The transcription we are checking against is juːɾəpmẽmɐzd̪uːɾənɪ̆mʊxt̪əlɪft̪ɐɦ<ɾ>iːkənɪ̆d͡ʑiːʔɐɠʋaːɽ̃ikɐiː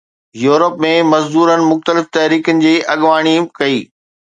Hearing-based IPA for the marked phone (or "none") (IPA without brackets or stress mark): ɾ